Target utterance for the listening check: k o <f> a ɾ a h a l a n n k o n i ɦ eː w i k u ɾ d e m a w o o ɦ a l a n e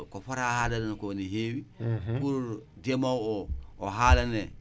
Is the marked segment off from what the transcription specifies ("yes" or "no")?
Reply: no